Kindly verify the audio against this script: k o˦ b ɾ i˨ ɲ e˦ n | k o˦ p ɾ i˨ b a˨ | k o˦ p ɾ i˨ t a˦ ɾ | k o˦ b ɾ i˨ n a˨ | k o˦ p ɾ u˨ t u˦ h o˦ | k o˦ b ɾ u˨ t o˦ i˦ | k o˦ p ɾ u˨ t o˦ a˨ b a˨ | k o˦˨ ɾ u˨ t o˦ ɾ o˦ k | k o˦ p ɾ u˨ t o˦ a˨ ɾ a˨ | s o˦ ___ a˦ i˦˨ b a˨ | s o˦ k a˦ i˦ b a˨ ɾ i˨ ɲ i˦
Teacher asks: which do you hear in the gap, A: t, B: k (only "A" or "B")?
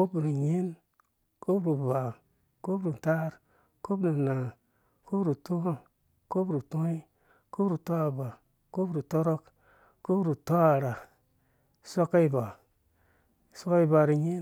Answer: B